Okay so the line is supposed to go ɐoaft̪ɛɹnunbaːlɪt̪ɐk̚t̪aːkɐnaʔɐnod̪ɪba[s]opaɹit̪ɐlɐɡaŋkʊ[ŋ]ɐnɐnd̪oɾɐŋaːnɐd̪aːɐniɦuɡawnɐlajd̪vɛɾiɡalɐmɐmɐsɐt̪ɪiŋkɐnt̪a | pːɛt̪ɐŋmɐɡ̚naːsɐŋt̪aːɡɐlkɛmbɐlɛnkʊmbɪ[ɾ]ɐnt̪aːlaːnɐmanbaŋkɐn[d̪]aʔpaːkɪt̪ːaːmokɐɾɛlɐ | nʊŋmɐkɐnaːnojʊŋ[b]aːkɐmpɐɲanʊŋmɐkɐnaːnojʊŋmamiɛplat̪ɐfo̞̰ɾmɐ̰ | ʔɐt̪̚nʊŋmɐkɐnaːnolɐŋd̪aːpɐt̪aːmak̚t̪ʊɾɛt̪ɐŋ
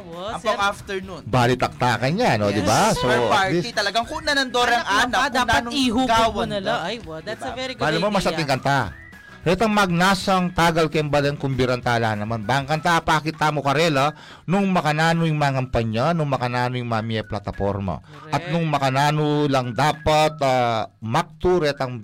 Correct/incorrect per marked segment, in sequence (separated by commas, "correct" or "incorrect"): correct, incorrect, correct, incorrect, incorrect